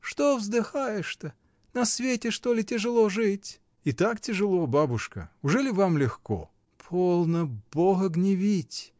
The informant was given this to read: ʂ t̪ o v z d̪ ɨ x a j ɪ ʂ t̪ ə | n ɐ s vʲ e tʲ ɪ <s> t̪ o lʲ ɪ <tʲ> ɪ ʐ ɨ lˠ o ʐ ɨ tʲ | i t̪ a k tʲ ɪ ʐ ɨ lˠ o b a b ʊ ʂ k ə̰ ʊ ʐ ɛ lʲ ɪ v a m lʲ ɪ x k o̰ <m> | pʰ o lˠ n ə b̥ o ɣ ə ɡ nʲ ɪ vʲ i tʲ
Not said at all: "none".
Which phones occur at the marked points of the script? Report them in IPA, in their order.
ʂ, tʲ, none

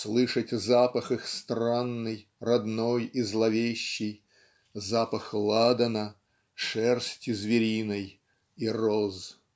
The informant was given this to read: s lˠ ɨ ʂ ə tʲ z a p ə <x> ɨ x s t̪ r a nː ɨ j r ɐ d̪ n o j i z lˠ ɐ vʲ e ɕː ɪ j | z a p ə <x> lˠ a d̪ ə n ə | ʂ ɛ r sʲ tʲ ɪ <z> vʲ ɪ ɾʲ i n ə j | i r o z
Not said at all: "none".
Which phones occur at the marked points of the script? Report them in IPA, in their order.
x, x, z

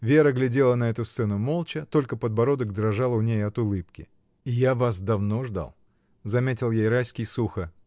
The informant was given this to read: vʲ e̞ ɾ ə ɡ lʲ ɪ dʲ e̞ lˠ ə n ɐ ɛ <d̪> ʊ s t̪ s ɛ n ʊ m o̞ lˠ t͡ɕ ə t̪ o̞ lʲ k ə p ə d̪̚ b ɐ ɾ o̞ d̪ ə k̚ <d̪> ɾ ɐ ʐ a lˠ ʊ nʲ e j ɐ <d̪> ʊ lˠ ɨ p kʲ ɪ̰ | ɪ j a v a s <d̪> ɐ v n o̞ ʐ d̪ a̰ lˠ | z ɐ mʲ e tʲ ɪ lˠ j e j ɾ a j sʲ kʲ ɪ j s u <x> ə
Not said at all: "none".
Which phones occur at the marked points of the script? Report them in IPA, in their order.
t̪, d̪, t̪, d̪, x

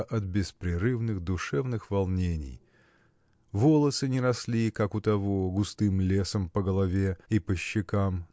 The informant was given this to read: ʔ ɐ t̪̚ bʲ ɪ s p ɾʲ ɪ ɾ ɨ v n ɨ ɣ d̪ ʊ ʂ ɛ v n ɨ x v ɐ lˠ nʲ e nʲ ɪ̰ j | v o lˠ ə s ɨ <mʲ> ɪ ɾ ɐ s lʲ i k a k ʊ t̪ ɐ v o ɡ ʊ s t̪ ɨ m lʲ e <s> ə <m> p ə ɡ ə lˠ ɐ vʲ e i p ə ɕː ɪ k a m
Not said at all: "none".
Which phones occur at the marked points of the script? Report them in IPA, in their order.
nʲ, s, m

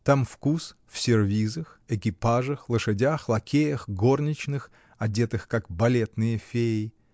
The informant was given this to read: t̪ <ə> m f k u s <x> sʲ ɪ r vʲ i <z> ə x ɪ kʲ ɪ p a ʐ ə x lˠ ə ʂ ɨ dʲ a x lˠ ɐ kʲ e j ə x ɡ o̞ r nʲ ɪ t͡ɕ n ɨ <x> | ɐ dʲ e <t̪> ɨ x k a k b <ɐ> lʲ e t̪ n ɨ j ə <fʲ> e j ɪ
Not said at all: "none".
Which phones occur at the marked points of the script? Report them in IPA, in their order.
a, f, z, x, t̪, ɐ, fʲ

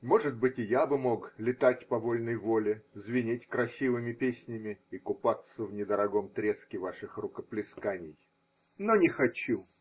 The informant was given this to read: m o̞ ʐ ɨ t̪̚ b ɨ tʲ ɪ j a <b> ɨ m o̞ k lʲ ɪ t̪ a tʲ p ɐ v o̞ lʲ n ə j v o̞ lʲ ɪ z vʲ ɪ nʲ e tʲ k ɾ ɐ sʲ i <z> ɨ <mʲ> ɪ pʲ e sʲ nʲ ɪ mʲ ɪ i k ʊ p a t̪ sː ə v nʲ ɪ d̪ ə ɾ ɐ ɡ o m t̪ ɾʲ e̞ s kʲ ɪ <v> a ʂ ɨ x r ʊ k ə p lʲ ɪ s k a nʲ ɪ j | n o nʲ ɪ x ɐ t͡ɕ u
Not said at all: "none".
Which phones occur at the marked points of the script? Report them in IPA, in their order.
b, v, mʲ, v

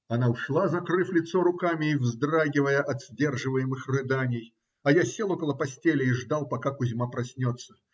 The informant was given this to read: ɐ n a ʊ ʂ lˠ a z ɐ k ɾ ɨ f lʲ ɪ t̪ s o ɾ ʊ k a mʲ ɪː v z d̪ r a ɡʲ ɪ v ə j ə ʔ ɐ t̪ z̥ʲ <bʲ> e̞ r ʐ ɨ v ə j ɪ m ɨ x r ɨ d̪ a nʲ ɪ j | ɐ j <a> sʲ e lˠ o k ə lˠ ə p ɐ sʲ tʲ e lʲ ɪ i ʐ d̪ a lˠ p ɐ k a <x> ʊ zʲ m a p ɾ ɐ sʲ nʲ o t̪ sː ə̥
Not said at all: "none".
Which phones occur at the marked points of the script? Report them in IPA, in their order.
dʲ, a, k

